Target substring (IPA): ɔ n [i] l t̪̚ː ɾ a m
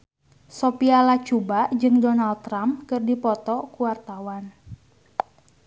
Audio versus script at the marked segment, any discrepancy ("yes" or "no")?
yes